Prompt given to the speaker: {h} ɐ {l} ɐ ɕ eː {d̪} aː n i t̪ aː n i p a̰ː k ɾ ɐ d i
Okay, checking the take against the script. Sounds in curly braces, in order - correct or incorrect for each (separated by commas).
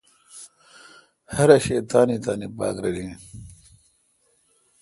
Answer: correct, incorrect, incorrect